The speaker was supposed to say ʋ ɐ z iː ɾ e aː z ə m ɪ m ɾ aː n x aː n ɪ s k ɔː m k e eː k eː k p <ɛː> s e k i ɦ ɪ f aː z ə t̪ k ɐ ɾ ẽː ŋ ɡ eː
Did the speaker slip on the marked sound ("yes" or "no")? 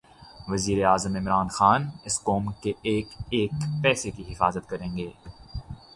no